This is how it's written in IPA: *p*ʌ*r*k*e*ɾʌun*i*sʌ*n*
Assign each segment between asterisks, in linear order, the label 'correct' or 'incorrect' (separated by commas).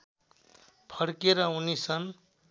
incorrect, incorrect, correct, correct, correct